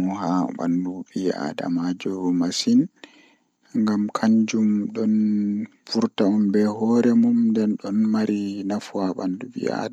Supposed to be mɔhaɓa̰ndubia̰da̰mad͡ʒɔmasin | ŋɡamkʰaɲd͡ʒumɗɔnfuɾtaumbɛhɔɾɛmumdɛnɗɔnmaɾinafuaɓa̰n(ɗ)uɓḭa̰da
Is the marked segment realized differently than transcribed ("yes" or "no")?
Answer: yes